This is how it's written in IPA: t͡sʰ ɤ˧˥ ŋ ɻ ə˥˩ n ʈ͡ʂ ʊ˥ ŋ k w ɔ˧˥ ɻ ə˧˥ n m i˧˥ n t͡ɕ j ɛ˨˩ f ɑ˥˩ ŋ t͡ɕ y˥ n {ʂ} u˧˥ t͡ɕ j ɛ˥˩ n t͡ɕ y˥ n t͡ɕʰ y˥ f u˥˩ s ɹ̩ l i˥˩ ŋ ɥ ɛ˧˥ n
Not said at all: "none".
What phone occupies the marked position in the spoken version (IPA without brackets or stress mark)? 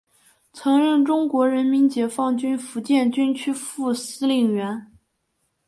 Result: f